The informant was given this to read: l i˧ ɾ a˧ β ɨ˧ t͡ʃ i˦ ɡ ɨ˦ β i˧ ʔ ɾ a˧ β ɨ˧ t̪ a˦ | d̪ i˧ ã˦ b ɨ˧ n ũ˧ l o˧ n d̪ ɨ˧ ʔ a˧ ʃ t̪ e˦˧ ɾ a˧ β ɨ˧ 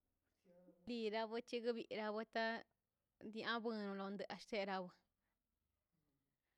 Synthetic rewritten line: l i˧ ɾ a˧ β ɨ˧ t͡ʃ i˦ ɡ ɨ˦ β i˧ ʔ ɾ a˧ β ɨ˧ t̪ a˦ | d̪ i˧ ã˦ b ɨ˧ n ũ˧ l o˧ n d̪ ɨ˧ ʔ a˧ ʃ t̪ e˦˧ ɾ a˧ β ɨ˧